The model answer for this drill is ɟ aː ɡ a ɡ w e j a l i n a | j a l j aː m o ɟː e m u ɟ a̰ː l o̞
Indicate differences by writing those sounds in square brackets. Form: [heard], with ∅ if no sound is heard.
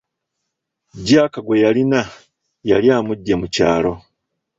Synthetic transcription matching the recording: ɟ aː [k] a ɡ w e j a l i n a | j a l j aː m [u] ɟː e m u [c] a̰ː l o̞